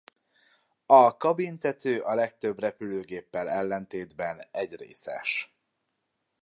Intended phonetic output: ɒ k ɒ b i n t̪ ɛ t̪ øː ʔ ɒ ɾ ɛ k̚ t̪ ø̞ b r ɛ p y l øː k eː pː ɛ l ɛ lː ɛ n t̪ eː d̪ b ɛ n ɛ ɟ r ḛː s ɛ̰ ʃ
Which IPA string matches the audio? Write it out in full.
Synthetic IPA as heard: ɒ k ɒ b i n t̪ ɛ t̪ øː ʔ ɒ l ɛ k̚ t̪ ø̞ b r ɛ p y l øː ɡ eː pː ɛ l ɛ lː ɛ n t̪ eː d̪ b ɛ n ɛ ɟ r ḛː s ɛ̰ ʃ

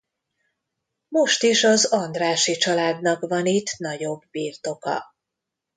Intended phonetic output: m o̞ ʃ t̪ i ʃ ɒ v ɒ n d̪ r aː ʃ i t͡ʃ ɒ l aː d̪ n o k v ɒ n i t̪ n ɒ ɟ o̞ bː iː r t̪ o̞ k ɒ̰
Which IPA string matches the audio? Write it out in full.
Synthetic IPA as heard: m o̞ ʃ t̪ i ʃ ɒ z ɒ n d̪ r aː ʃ i t͡ʃ ɒ l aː d̪ n ɒ k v ɒ n i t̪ n ɒ ɟ o̞ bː iː r t̪ o̞ k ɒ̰

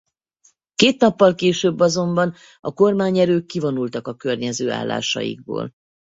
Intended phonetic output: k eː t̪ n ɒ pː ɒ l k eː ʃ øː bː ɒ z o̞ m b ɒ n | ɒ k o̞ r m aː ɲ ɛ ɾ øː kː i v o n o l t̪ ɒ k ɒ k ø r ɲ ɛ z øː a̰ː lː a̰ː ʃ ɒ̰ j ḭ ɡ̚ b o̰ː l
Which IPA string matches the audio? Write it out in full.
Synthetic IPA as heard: k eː t̪ n ɒ pː ɒ l k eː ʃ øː bː ɒ z o̞ m b ɒ n | ɒ k o̞ r m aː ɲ ɛ ɾ øː kː i v o n u l t̪ ɒ k ɒ k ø r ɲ ɛ z øː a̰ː lː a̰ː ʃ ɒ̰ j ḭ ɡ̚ b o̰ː l

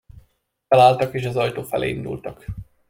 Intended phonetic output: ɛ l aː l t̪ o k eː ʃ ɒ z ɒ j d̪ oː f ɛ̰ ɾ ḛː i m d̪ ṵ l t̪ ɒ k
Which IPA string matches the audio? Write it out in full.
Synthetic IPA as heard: ɛ l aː l t̪ ɒ k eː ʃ ɒ z ɒ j t̪ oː f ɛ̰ l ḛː i n d̪ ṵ l t̪ ɒ k

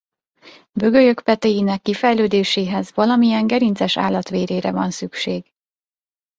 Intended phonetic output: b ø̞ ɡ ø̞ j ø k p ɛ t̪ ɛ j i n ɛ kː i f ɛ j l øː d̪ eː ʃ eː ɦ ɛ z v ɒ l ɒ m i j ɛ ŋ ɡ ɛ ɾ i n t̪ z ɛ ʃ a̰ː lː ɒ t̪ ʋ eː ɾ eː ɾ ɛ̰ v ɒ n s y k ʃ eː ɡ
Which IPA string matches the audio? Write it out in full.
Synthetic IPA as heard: b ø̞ ɡ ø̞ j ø k p ɛ t̪ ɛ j i n ɛ kː i f ɛ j l øː d̪ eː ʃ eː ɦ ɛ z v ɒ l ɒ m i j ɛ ŋ ɡ ɛ ɾ i n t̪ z ɛ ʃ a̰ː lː ɒ t̪ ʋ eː ɾ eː ɾ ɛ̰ v ɒ n s y k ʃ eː ɡ

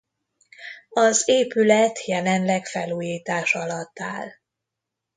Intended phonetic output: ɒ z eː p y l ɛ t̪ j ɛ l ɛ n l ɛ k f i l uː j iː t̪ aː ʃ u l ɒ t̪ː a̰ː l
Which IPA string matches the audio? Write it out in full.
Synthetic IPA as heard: ɒ z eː p y l ɛ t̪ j ɛ l ɛ n l ɛ k f ɛ l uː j iː t̪ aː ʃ ɒ l ɒ t̪ː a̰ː l

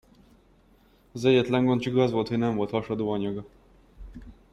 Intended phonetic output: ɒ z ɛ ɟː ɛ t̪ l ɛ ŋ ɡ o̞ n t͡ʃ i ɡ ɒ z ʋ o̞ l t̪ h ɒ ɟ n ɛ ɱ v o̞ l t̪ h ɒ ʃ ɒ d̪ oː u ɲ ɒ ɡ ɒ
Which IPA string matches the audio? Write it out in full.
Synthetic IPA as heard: ɒ z ɛ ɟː ɛ t̪ l ɛ ŋ ɡ o̞ n t͡ʃ i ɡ ɒ z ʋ o̞ l t̪ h o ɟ n ɛ ɱ v o̞ l t̪ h ɒ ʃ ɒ d̪ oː ɒ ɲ ɒ ɡ ɒ

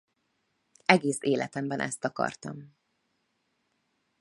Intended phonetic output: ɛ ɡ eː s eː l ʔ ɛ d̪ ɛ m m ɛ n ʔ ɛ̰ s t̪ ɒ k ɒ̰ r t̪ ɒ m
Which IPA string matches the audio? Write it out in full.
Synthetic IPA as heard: ɛ ɡ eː s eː l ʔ ɛ t̪ ɛ m b ɛ n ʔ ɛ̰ s t̪ ɒ k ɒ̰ r t̪ ɒ m

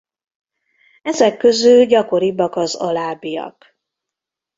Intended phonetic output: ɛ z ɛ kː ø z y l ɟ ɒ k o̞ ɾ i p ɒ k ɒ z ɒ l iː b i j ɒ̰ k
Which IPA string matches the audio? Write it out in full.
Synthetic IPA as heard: ɛ z ɛ kː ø z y l ɟ ɒ k o̞ ɾ i b ɒ k ɒ z ɒ l aː b i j ɒ̰ k

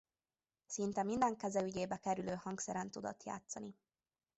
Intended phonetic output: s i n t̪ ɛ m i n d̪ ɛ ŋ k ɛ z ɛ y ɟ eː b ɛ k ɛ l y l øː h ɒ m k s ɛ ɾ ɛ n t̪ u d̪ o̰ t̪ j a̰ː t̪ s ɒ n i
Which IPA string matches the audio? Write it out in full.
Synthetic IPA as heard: s i n t̪ ɛ m i n d̪ ɛ ŋ k ɛ z ɛ y ɟ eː b ɛ k ɛ ɾ y l øː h ɒ ŋ k s ɛ ɾ ɛ n t̪ u d̪ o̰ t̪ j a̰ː t̪ s ɒ n i

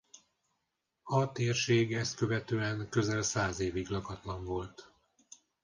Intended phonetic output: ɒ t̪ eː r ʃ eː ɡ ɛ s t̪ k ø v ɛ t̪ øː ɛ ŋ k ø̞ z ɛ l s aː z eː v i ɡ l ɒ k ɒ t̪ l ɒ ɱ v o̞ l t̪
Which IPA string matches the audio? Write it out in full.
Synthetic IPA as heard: ɒ t̪ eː r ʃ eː ɡ ɛ s t̪ k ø v ɛ t̪ øː ɛ ŋ k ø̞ z ɛ l s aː z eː v i ɡ l ɒ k ɒ t̪ l ɒ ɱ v o̞ l t̪

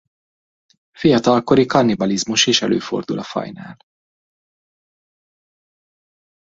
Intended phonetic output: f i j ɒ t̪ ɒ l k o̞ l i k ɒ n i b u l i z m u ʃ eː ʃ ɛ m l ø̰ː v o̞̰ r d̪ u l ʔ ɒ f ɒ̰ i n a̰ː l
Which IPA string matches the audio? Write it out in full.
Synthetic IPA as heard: f i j ɒ t̪ ɒ l k o̞ ɾ i k ɒ n i b ɒ l i z m u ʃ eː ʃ ɛ l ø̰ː f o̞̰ r d̪ u l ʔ ɒ f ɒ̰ j n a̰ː l

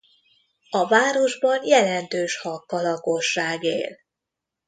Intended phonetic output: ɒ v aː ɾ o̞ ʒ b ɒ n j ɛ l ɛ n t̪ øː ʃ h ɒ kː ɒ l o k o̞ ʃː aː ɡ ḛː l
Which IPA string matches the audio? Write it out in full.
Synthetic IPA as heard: ɒ v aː ɾ o̞ ʒ b ɒ n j ɛ l ɛ n t̪ øː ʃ h ɒ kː ɒ l ɒ k o̞ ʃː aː ɡ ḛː l

